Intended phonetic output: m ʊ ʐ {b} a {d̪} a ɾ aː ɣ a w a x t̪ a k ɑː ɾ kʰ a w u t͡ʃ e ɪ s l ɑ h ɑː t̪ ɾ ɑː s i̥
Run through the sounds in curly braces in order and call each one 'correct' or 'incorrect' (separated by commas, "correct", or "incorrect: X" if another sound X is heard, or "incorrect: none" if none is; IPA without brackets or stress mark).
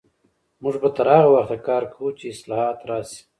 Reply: correct, incorrect: t̪